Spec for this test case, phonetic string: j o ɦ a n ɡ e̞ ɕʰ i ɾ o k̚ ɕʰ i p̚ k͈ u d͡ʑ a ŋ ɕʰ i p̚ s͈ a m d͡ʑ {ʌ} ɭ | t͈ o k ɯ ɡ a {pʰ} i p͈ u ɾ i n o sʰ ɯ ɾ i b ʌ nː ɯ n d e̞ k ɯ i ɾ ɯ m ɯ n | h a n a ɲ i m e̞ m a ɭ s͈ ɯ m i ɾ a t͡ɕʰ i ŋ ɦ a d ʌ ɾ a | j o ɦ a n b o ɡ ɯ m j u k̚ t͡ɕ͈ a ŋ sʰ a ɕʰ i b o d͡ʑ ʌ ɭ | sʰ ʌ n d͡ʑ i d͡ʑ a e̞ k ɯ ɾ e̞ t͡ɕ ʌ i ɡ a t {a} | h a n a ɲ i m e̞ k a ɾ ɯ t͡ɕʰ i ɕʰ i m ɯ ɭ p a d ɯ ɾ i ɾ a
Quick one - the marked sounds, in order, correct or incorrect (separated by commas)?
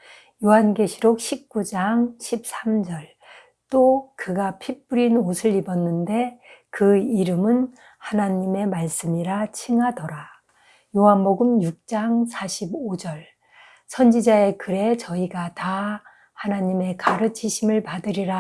correct, correct, correct